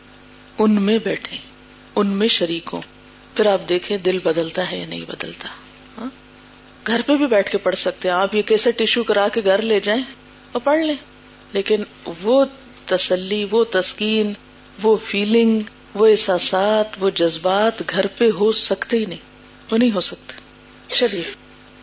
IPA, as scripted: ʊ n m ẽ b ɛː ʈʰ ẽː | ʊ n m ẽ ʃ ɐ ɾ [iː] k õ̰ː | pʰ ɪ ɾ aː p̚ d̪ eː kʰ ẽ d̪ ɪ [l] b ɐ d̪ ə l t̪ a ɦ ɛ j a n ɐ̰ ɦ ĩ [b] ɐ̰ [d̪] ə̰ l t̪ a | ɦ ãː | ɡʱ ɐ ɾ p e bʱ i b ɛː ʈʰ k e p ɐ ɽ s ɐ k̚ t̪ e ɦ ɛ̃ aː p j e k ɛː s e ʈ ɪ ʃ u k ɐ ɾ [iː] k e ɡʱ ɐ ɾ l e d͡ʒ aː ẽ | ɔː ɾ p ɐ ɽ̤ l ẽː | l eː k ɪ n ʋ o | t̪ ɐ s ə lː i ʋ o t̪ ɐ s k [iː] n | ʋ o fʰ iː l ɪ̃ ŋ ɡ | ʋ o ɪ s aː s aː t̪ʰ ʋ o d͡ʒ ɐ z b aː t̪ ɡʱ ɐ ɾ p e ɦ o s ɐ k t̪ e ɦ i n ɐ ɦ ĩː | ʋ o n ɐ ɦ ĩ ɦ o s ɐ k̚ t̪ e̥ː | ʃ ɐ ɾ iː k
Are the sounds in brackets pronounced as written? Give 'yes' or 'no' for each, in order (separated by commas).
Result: yes, yes, yes, yes, no, yes